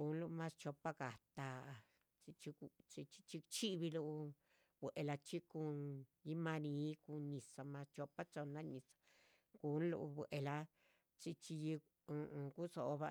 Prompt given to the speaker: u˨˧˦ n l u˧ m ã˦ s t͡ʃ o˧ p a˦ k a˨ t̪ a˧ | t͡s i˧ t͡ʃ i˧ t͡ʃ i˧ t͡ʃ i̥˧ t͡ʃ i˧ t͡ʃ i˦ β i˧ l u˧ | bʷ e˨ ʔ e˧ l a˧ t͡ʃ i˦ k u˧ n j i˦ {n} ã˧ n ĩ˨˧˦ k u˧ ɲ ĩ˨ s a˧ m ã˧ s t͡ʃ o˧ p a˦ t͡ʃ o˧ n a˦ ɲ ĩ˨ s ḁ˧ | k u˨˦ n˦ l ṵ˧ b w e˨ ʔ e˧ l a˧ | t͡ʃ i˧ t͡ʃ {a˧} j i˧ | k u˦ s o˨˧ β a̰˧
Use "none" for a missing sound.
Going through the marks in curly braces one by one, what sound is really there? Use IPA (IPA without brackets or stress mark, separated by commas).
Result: m, i˧